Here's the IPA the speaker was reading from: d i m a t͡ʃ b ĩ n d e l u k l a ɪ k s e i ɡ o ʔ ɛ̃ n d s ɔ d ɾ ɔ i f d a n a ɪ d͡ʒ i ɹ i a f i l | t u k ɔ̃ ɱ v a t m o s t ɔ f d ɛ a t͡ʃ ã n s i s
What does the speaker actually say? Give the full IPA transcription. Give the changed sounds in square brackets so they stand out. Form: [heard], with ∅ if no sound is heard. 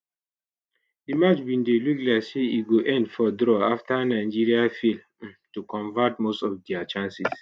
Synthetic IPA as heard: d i m a t͡ʃ b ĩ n d e l u k l a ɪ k s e i ɡ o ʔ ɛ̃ n d [f] ɔ d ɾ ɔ [a] f [t] a n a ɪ d͡ʒ i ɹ i a f i l | t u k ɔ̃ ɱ v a t m o s t ɔ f d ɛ a t͡ʃ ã n s i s